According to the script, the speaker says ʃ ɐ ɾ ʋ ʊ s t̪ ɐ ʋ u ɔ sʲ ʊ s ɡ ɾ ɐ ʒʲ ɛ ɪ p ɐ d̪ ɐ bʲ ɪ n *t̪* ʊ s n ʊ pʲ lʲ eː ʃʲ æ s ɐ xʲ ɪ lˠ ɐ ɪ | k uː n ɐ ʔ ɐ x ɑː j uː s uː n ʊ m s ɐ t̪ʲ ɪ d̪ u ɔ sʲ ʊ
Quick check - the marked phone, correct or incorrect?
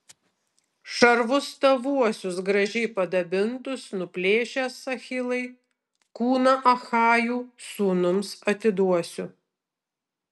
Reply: correct